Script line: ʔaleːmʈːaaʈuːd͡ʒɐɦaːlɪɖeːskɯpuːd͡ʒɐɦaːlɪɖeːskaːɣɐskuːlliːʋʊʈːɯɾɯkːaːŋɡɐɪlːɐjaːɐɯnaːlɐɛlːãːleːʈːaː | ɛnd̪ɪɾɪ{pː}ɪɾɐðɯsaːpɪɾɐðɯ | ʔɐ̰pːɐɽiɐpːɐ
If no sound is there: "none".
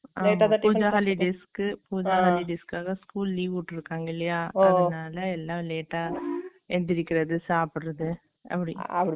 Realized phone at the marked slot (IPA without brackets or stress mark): kː